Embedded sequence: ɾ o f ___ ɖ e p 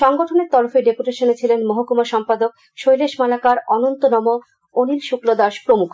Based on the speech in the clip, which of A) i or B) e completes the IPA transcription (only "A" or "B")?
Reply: B